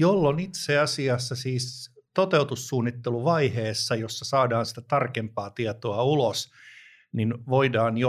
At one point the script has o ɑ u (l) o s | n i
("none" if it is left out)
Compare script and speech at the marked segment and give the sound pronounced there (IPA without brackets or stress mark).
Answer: l